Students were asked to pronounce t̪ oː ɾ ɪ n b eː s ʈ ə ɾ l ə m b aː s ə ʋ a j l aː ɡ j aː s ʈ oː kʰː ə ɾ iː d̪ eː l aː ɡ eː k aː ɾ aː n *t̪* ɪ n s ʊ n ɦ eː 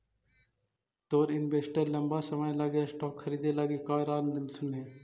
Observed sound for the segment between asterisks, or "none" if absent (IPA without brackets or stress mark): d̪